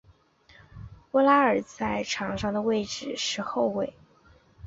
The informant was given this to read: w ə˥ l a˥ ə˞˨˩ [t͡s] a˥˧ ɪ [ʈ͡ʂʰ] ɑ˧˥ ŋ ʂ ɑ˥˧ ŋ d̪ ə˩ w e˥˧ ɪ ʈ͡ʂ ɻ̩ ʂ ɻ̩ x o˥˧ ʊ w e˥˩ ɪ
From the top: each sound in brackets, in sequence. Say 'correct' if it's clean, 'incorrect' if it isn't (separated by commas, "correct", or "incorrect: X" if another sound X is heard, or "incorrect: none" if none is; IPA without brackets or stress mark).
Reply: correct, correct